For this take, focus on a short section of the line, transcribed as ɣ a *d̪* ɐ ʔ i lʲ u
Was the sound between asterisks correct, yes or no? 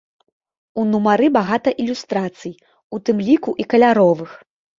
no